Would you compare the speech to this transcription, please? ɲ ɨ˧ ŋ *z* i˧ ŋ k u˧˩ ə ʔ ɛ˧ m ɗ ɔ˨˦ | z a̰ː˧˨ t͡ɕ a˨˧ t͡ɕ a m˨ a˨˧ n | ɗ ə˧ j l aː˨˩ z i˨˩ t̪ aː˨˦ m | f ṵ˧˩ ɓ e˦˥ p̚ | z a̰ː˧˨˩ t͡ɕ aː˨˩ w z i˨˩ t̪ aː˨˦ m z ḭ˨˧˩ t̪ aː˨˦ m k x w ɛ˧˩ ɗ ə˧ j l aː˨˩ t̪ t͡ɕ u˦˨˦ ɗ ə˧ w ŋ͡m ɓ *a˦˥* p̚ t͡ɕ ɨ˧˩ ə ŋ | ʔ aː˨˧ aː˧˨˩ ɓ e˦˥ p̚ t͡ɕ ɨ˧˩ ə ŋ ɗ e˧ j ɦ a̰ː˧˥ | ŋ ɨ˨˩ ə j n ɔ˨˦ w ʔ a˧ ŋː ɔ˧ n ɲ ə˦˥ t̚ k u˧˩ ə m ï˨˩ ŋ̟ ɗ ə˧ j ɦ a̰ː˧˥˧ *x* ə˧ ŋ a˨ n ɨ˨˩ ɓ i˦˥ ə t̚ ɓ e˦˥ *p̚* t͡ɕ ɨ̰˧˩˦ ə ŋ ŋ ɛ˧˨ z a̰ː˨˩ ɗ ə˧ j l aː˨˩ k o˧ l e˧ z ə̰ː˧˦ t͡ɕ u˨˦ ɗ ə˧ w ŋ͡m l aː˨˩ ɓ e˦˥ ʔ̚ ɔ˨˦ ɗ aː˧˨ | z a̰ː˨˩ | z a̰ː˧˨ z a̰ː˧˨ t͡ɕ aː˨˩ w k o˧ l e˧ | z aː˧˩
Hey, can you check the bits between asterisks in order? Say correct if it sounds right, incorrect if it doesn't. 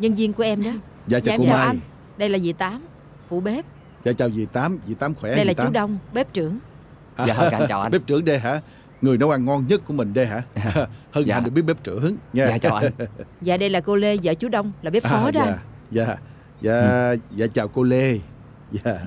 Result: correct, incorrect: e˦˥, incorrect: h, correct

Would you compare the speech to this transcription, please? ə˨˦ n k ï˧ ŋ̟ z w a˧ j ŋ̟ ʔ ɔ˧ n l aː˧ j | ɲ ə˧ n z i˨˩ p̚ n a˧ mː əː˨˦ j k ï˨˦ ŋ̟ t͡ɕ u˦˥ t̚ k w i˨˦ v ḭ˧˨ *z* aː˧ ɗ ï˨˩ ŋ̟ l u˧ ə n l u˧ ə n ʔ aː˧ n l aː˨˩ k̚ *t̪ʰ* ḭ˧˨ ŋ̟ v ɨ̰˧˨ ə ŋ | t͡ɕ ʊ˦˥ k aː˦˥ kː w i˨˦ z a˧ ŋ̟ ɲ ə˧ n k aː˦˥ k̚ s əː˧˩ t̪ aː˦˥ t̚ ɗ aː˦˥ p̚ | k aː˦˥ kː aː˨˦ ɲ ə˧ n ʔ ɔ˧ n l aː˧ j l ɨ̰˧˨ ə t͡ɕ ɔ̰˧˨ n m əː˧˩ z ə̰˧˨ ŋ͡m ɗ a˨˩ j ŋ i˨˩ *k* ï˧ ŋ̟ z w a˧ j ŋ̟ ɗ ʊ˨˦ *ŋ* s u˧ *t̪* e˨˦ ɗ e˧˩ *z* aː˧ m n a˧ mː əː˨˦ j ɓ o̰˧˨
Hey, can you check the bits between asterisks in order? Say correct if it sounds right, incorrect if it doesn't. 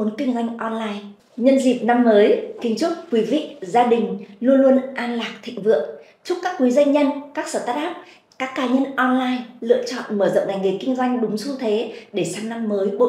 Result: correct, correct, correct, incorrect: ŋ͡m, incorrect: t̪ʰ, incorrect: s

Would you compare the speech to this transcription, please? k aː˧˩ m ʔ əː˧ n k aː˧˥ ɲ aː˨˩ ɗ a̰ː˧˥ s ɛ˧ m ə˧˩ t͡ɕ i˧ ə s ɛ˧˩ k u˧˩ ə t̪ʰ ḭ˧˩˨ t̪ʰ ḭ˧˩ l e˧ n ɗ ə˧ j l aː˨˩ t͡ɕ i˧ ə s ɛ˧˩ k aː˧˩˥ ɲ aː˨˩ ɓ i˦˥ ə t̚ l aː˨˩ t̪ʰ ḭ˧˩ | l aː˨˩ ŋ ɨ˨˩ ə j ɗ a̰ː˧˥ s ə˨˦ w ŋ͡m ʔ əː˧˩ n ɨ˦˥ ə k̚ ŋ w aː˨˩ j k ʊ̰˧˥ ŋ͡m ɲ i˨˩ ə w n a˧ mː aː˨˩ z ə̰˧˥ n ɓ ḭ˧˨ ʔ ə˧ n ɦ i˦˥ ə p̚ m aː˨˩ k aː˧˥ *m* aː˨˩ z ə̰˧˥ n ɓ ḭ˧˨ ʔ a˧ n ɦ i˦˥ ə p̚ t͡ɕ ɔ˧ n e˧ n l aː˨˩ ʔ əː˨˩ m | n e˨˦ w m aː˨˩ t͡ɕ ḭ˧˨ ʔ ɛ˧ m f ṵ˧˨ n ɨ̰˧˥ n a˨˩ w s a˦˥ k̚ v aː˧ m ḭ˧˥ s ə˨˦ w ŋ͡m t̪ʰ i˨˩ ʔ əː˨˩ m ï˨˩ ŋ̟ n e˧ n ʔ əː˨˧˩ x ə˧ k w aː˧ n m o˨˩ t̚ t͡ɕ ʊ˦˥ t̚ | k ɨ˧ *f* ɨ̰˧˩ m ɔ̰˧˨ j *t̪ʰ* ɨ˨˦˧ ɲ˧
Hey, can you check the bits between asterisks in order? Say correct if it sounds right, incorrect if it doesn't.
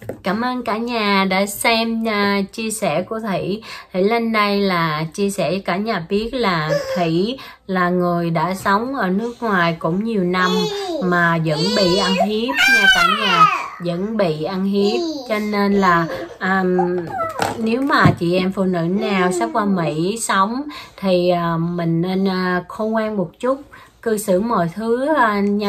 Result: incorrect: ɲ, incorrect: s, correct

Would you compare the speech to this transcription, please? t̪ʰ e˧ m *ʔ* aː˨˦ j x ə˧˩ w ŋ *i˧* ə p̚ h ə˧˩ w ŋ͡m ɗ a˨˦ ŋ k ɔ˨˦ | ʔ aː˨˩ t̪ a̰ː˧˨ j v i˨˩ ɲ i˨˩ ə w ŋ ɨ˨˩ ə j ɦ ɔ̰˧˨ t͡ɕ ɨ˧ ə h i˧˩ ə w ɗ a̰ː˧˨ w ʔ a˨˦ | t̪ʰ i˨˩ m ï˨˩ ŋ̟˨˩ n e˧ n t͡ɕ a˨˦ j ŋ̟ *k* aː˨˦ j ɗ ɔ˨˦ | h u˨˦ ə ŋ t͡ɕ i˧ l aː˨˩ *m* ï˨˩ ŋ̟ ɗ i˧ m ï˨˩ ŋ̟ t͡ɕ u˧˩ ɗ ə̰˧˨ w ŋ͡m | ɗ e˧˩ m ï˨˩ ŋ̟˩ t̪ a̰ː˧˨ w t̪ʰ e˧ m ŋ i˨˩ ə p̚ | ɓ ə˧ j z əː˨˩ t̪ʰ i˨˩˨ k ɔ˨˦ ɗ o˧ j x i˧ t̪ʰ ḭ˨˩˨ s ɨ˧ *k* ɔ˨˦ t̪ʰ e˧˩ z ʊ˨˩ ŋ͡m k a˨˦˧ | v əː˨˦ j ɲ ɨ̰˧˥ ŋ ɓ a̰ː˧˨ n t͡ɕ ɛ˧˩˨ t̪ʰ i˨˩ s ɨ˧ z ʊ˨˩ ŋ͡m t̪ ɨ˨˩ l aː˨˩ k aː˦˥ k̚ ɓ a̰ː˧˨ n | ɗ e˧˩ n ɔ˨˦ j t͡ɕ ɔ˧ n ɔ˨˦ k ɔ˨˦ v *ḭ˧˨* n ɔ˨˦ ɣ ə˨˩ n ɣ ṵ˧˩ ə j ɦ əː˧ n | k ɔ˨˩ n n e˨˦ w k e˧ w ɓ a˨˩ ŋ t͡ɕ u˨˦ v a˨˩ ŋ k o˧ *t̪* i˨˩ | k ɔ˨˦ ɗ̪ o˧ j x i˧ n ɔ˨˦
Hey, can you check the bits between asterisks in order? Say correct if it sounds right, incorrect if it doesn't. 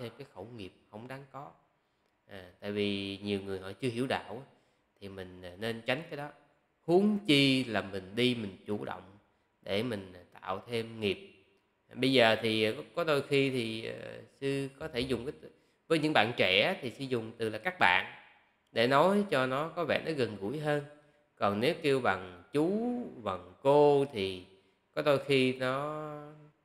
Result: incorrect: k, incorrect: i˨˩, correct, correct, correct, incorrect: ɛ̰˧˨, incorrect: t̪ʰ

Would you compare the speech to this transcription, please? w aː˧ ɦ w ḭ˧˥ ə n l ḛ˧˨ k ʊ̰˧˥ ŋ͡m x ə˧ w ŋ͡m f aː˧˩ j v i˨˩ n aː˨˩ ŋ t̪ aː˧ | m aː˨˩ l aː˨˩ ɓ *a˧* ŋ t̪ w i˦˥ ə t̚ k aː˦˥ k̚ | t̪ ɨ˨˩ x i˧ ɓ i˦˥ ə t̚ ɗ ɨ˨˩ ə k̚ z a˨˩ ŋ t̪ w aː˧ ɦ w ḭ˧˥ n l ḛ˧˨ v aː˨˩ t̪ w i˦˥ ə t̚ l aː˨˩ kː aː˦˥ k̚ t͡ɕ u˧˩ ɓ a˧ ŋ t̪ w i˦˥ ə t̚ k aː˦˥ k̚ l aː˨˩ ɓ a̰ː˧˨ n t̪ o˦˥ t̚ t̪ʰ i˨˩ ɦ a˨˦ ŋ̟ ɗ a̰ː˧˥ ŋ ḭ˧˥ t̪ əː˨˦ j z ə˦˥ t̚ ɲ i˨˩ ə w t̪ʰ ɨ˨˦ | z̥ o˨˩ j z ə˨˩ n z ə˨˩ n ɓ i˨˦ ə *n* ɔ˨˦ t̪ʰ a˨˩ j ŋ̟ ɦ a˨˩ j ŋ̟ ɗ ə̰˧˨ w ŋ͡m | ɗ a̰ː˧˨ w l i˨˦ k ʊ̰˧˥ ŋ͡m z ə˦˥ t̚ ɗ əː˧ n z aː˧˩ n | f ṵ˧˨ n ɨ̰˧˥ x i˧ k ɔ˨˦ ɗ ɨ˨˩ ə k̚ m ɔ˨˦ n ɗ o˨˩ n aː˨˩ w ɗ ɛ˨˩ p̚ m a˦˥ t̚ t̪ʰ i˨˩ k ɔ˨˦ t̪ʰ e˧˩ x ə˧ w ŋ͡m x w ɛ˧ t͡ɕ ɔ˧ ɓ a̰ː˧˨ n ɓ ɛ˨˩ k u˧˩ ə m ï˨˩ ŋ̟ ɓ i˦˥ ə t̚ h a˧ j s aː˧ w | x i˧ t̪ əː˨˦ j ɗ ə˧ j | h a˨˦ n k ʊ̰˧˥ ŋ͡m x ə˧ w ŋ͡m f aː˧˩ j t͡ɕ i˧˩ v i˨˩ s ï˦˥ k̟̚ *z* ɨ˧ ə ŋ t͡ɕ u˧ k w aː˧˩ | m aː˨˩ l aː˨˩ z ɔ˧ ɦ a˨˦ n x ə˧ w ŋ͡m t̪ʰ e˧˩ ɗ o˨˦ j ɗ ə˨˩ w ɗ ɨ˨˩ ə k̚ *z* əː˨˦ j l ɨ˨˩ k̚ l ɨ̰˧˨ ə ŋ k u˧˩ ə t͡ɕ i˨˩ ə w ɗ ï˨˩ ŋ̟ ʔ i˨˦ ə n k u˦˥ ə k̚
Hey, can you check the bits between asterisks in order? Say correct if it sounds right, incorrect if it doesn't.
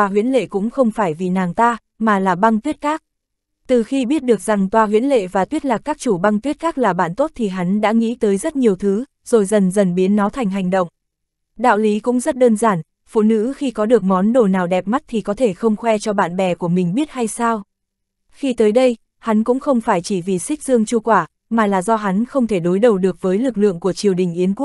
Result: correct, incorrect: nː, correct, incorrect: v

